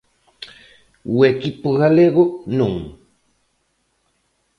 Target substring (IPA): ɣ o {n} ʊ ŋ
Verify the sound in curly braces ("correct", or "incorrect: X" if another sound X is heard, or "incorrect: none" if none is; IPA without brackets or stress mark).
correct